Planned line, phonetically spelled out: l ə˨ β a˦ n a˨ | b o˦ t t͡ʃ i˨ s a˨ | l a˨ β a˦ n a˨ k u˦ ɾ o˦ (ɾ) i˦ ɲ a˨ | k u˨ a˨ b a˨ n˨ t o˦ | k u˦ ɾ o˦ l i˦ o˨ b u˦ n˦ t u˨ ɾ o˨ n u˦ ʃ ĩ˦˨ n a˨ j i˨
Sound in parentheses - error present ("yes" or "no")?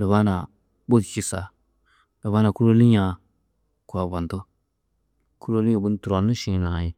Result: yes